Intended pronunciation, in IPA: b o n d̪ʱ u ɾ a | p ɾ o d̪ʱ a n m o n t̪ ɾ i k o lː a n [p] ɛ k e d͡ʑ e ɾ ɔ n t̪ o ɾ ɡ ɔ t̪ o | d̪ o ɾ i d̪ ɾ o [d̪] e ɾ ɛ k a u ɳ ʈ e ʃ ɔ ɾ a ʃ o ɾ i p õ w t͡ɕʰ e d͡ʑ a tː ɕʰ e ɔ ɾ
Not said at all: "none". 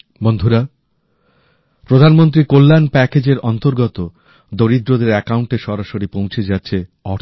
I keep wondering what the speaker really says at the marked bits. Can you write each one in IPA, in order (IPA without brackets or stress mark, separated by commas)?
p, d̪